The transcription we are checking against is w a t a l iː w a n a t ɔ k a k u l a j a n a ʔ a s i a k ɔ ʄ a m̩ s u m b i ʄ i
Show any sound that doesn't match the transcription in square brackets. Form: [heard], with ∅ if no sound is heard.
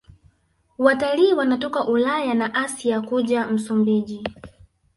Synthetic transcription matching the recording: w a t a l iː w a n a t ɔ k a [ʔ] u l a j a n a ʔ a s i a k [u] ʄ a m̩ s u m b i ʄ i